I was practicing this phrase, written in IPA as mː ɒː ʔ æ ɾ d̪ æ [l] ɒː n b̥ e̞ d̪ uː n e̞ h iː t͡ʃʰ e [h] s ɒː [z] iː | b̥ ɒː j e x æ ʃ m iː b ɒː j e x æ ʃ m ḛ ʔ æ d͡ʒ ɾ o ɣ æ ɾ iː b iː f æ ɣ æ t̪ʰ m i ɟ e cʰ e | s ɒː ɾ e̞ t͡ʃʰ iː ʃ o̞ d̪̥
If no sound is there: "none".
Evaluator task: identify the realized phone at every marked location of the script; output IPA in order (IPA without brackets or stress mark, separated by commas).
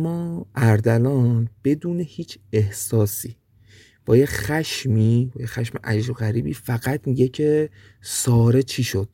l, h, s